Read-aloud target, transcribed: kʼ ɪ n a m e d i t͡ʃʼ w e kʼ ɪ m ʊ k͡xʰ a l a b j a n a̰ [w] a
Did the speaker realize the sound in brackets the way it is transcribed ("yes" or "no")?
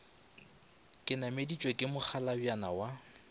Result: yes